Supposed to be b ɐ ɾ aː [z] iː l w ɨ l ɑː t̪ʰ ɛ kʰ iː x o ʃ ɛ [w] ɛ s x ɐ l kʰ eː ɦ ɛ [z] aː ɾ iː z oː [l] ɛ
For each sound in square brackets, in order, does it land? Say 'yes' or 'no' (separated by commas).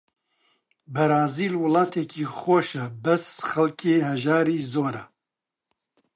yes, no, no, no